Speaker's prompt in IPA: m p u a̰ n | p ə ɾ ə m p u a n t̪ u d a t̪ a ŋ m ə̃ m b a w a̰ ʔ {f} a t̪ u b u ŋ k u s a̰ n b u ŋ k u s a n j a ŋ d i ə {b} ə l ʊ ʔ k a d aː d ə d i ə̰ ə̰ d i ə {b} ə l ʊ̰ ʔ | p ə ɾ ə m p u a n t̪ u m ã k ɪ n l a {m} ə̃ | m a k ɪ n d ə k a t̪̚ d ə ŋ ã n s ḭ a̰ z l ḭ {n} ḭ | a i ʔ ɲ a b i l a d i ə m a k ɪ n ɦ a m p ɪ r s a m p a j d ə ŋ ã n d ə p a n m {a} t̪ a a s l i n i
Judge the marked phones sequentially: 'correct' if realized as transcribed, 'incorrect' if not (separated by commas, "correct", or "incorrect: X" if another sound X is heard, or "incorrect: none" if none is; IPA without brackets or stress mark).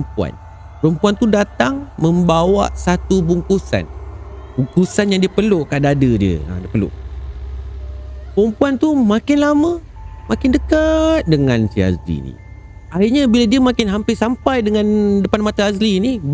incorrect: s, incorrect: p, incorrect: p, correct, correct, correct